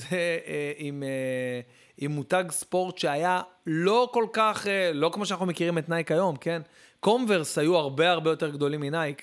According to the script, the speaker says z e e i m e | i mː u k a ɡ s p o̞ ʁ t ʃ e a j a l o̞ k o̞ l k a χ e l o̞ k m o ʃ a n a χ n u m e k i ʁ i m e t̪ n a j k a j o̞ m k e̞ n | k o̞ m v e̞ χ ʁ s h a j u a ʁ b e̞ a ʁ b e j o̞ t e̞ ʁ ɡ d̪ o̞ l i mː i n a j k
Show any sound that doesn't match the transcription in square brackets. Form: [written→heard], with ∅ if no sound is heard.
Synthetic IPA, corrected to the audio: z e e i m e | i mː u [k→t] a ɡ s p o̞ ʁ t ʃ e a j a l o̞ k o̞ l k a χ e l o̞ k m o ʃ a n a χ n u m e k i ʁ i m e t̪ n a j k a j o̞ m k e̞ n | k o̞ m v e̞ [χ→∅] ʁ s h a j u a ʁ b e̞ a ʁ b e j o̞ t e̞ ʁ ɡ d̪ o̞ l i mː i n a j k